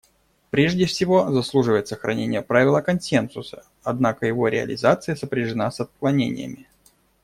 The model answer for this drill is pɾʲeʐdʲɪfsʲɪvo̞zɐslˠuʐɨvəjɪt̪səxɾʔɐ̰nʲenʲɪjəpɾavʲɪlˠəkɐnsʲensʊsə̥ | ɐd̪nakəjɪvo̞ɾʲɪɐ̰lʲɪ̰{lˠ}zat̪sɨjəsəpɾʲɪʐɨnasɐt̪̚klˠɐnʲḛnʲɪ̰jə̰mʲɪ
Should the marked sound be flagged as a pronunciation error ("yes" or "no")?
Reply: yes